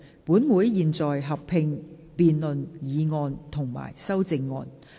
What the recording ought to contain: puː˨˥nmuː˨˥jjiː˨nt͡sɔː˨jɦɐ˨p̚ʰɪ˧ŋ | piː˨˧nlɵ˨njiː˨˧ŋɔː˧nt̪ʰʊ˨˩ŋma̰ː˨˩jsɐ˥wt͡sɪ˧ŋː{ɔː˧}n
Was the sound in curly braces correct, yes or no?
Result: yes